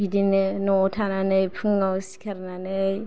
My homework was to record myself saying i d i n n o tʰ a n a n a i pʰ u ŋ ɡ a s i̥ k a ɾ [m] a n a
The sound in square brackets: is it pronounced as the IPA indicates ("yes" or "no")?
no